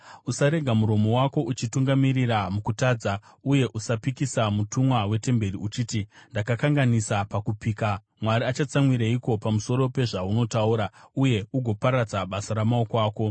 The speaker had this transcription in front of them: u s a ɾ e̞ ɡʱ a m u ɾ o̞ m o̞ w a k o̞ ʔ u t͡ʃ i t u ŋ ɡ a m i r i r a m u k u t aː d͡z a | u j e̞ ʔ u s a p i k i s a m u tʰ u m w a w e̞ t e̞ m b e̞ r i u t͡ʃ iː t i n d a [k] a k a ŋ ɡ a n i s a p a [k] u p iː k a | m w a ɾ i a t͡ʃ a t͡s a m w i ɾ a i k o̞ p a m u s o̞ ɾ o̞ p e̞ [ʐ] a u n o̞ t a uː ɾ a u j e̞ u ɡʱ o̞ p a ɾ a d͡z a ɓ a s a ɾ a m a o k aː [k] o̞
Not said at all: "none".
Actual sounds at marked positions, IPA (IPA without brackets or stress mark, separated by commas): k, k, ʐ, k